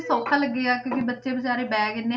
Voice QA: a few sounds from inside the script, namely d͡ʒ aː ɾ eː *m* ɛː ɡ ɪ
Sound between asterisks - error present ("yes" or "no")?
yes